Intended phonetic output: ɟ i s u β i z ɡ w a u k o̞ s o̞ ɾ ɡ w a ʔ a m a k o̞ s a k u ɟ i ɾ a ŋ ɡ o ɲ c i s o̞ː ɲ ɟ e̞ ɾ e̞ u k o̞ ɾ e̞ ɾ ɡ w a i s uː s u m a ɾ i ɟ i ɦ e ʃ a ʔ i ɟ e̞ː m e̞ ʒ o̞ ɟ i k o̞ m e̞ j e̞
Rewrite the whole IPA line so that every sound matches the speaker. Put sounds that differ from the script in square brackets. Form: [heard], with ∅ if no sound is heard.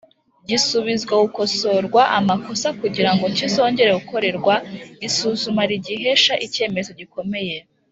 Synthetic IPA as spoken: ɟ i s u β i z ɡ w a u k o̞ s o̞ ɾ ɡ w a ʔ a m a k o̞ s a k u ɟ i ɾ a ŋ ɡ o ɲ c i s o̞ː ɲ ɟ e̞ ɾ e̞ u k o̞ ɾ e̞ ɾ ɡ w a i s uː [z] u m a ɾ i ɟ i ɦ e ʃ a ʔ i [c] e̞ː m e̞ [z] o̞ ɟ i k o̞ m e̞ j e̞

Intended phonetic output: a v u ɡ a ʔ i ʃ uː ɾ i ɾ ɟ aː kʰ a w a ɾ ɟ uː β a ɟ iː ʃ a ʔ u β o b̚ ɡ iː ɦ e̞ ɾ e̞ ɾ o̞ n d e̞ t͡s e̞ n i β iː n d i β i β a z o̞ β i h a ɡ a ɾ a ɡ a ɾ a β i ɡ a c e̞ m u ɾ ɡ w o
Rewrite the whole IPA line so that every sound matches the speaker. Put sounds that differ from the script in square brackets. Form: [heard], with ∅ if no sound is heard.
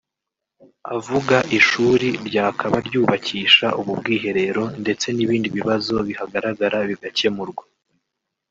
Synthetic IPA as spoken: a v u ɡ a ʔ i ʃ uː ɾ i ɾ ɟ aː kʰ a [β] a ɾ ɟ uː β a [c] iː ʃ a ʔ u β [u] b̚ ɡ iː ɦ e̞ ɾ e̞ ɾ o̞ n d e̞ t͡s e̞ n i β iː n d i β i β a z o̞ β i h a ɡ a ɾ a ɡ a ɾ a β i ɡ a c e̞ m u ɾ ɡ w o

